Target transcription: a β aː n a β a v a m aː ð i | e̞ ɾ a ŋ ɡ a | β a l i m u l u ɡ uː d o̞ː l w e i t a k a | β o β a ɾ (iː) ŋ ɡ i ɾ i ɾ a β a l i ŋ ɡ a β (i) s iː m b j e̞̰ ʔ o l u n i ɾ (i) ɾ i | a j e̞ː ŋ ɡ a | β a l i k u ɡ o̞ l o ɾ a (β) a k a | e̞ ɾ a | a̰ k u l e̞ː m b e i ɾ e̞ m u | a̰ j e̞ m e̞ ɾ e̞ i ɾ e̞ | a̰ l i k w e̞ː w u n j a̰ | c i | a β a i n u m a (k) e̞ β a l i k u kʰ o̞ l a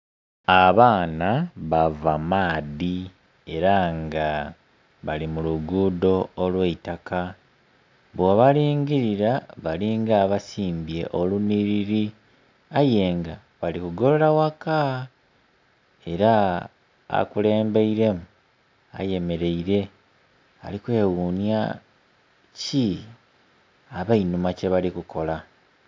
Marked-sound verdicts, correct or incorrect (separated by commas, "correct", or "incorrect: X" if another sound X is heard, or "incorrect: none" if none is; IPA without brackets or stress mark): correct, incorrect: a, correct, incorrect: w, incorrect: c